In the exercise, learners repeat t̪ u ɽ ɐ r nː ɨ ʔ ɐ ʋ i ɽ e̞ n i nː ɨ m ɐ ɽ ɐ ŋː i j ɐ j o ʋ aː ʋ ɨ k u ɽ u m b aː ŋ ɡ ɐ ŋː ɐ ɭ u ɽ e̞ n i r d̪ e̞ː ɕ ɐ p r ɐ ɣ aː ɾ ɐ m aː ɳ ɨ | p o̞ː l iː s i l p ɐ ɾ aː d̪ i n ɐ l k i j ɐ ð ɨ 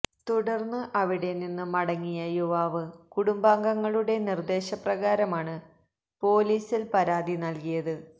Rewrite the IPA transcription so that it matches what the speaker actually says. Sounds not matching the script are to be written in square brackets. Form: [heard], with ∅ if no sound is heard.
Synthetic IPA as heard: t̪ u ɽ ɐ r nː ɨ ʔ ɐ ʋ i ɽ e̞ n i nː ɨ m ɐ ɽ ɐ ŋː i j ɐ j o ʋ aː ʋ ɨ k u ɽ u m b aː ŋ ɡ ɐ ŋː ɐ ɭ u ɽ e̞ n i r d̪ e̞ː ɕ ɐ p r ɐ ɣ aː ɾ ɐ m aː ɳ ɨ | p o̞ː l iː s i l p ɐ ɾ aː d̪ i n ɐ l k i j ɐ ð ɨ

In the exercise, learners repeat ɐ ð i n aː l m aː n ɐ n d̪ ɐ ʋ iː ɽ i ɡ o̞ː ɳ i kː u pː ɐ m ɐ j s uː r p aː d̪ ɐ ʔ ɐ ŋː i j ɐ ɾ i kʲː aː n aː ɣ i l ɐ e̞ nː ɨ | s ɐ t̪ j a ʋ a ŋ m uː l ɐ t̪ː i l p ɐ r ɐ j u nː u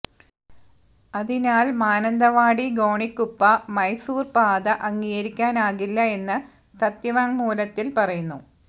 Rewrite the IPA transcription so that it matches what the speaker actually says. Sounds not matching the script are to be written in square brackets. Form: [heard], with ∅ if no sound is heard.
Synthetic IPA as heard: ɐ ð i n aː l m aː n ɐ n d̪ ɐ ʋ [aː] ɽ i ɡ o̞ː ɳ i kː u pː ɐ m ɐ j s uː r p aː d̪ ɐ ʔ ɐ ŋː i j ɐ ɾ i kʲː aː n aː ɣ i [lː] ɐ e̞ nː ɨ | s ɐ t̪ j [ɐ] ʋ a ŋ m uː l ɐ t̪ː i l p ɐ r ɐ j u nː u

